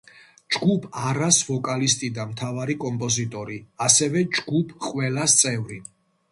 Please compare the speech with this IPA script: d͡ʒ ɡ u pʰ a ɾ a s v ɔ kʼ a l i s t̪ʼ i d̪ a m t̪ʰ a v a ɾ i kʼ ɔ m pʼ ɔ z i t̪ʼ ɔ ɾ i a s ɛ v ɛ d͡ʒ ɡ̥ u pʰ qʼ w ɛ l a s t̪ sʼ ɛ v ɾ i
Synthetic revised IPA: d͡ʒ ɡ u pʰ a ɾ a s v ɔ kʼ a l i s t̪ʼ i d̪ a m t̪ʰ a v a ɾ i kʼ ɔ m pʼ ɔ z i t̪ʼ ɔ ɾ i a s ɛ v ɛ d͡ʒ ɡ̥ u pʰ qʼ w ɛ l a s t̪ sʼ ɛ v ɾ i